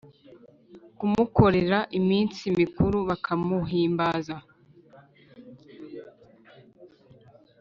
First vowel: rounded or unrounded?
rounded